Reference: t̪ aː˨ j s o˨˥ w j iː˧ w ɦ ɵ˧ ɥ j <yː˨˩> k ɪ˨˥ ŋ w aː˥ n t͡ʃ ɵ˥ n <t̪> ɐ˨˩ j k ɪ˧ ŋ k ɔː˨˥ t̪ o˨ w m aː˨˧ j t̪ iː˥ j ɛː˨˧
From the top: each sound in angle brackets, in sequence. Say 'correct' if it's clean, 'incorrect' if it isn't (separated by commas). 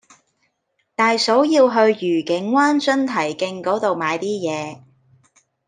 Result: correct, incorrect